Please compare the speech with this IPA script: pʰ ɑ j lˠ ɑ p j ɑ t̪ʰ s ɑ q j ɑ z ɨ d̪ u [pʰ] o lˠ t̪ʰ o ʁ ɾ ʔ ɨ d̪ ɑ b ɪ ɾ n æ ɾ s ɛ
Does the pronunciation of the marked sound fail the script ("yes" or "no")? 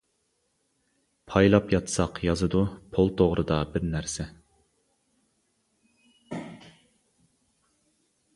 no